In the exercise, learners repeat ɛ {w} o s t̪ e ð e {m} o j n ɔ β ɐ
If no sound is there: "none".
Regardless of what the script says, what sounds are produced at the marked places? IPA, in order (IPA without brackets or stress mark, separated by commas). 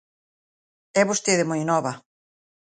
β, m